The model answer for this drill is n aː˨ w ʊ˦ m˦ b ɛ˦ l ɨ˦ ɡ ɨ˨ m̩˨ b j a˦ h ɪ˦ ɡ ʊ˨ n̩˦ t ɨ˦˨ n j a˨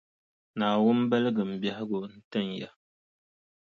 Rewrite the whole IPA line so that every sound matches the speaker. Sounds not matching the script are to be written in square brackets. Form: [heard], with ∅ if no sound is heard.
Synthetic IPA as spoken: n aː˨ w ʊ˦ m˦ b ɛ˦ l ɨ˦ ɡ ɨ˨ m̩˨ b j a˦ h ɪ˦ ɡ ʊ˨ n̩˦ t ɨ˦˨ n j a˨